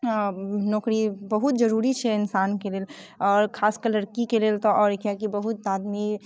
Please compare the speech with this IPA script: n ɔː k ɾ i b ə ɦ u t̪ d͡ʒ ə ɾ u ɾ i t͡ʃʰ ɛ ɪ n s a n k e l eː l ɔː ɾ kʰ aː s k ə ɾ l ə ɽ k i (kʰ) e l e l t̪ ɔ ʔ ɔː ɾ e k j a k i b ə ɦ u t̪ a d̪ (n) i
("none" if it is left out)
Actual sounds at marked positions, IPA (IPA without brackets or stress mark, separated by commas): k, m